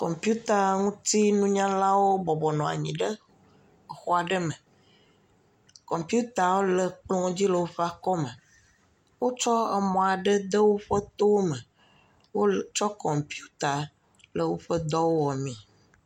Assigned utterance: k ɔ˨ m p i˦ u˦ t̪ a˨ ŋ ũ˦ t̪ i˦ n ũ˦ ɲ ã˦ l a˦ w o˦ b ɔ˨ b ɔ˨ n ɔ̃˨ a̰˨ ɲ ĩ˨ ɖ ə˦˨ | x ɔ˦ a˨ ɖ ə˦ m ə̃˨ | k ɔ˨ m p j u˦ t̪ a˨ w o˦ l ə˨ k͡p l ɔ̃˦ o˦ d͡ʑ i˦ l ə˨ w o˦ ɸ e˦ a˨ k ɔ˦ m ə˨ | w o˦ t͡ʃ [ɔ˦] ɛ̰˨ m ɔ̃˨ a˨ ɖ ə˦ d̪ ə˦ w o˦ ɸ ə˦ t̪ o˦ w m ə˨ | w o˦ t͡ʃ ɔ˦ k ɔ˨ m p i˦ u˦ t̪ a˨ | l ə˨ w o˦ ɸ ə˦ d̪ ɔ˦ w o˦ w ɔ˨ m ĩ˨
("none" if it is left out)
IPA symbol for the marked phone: ɔ˦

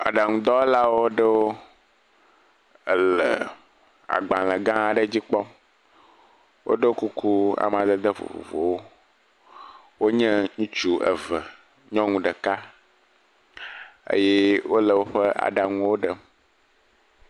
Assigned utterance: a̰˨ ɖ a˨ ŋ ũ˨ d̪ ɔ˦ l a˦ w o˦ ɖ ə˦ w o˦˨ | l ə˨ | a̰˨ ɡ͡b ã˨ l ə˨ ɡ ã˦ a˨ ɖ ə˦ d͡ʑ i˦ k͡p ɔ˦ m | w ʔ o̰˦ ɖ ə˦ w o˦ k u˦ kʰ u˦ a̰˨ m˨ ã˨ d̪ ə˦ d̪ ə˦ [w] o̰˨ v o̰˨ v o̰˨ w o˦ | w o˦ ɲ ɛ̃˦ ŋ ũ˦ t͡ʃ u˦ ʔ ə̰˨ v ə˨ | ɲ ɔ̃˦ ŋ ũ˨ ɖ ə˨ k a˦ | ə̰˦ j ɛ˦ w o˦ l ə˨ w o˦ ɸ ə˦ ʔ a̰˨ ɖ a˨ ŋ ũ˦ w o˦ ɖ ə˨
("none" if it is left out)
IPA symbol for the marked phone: v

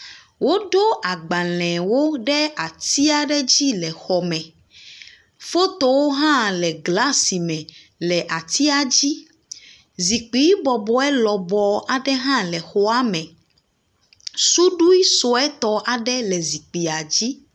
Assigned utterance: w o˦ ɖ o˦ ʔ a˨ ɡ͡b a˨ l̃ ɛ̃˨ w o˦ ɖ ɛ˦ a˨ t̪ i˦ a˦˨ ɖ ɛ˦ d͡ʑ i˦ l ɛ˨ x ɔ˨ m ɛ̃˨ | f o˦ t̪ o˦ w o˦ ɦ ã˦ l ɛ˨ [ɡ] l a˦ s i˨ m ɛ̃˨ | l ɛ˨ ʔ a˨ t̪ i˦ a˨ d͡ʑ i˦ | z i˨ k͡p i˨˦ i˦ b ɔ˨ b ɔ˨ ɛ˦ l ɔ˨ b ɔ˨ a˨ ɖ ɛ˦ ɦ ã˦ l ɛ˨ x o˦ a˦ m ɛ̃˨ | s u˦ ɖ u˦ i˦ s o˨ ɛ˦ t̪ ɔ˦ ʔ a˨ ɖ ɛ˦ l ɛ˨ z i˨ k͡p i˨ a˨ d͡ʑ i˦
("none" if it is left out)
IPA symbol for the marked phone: ɡ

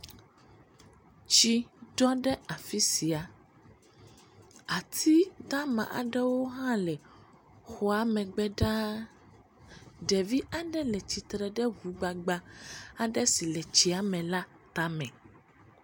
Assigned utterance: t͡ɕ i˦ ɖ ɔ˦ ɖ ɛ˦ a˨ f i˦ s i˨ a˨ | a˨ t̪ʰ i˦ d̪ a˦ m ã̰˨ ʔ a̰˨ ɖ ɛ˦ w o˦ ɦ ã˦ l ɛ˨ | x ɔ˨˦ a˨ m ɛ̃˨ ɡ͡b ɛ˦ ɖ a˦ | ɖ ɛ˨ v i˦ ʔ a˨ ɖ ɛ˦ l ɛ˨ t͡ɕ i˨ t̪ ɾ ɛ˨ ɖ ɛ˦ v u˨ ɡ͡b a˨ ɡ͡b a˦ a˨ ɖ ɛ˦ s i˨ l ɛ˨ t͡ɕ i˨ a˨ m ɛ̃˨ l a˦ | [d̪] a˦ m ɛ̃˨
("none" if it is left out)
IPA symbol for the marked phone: t̪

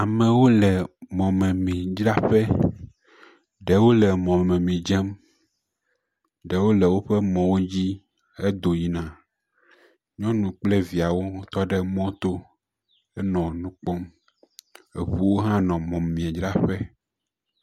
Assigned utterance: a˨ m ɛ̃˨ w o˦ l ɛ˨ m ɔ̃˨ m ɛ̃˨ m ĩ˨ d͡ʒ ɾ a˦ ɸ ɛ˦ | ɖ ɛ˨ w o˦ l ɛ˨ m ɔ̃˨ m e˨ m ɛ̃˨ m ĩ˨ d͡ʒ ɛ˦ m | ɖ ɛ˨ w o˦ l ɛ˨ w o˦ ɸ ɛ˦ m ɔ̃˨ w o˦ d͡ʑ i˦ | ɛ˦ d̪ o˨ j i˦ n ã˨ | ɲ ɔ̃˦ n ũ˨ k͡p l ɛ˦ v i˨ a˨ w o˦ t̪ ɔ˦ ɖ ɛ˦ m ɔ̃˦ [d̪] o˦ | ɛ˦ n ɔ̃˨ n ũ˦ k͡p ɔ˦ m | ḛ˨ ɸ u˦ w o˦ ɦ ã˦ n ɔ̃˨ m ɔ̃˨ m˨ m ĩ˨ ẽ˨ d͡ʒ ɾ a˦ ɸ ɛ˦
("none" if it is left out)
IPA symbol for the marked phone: t̪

